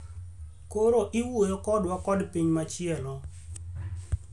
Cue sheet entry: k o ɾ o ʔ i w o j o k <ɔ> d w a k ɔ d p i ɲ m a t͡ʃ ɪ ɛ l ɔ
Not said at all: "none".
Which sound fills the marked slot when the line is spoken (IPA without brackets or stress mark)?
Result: ɔ